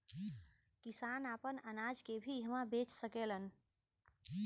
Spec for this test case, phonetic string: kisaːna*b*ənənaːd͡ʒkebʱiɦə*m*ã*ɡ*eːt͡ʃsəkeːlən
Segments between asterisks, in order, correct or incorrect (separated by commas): incorrect, correct, incorrect